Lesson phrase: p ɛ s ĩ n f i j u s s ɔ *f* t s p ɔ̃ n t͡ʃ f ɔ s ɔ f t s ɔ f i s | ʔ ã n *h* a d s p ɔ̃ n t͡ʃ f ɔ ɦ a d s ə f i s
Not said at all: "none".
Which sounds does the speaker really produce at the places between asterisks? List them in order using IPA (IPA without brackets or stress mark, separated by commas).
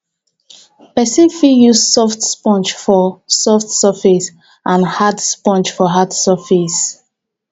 f, h